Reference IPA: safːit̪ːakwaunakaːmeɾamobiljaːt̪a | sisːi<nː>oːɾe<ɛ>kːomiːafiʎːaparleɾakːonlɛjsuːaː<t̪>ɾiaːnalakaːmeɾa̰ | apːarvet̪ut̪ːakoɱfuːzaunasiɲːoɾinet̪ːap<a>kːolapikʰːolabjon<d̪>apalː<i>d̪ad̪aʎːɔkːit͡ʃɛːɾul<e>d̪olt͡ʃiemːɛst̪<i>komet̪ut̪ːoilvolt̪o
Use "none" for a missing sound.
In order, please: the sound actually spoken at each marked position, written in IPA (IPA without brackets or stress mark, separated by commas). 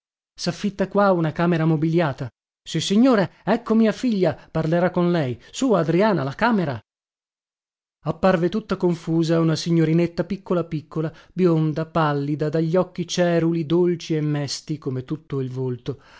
ɲː, ɛ, d̪, i, d̪, i, i, i